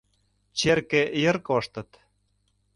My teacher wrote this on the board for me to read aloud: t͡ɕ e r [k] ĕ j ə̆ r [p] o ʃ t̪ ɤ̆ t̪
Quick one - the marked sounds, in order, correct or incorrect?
correct, incorrect: k

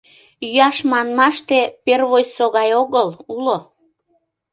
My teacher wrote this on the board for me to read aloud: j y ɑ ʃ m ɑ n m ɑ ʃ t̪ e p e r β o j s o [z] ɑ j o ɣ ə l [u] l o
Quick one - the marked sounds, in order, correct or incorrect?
incorrect: ɣ, correct

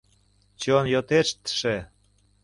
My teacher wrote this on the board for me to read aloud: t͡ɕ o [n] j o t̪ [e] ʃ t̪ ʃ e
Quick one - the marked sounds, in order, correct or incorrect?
correct, correct

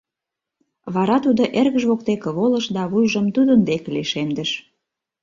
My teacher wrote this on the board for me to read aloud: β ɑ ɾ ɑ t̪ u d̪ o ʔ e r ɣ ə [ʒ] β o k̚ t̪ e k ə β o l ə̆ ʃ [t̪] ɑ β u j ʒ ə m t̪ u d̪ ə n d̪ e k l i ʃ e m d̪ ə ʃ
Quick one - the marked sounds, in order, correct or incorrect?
correct, incorrect: d̪

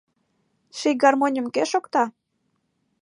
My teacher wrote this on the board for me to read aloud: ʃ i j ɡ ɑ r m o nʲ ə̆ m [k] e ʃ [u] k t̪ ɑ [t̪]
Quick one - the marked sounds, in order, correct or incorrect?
correct, incorrect: o, incorrect: none

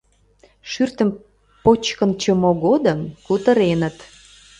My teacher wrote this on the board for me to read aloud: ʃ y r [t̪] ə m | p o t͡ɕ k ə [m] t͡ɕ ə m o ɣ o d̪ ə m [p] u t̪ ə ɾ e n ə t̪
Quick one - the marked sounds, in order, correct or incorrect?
correct, incorrect: n, incorrect: k

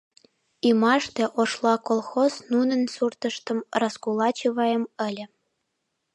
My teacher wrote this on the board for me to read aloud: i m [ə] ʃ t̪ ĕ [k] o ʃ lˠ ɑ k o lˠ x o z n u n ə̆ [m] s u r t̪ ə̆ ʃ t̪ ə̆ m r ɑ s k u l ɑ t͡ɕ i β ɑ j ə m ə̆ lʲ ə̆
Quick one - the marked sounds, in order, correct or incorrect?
incorrect: ɑ, incorrect: ʔ, incorrect: n

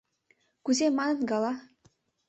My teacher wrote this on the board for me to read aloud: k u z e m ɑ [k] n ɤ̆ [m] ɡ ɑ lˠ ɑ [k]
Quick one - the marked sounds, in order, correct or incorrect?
incorrect: none, incorrect: n, incorrect: none

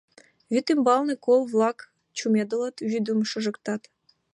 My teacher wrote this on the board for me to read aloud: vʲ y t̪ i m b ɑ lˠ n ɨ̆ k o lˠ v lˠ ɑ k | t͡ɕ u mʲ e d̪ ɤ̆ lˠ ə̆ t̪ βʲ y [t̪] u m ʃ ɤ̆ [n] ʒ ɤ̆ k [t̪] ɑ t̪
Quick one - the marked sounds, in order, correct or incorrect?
incorrect: d̪, incorrect: none, correct

